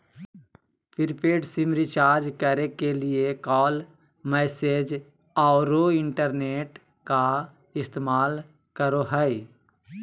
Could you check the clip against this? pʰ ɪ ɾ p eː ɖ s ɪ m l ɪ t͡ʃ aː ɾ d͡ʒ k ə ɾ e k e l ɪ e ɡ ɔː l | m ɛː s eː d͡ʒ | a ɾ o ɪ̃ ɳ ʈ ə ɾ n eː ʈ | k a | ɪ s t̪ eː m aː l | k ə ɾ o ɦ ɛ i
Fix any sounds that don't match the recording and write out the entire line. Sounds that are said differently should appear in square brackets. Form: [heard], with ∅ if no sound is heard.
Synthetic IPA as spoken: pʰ ɪ ɾ p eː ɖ s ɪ m [ɾ] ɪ t͡ʃ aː ɾ d͡ʒ k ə ɾ e k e l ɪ e [k] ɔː l | m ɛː s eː d͡ʒ | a ɾ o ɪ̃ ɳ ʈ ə ɾ n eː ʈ | k a | ɪ s t̪ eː m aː l | k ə ɾ o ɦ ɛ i